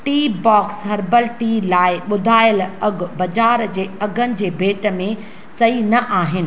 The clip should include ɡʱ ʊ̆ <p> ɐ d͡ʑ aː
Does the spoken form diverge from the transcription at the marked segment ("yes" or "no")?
yes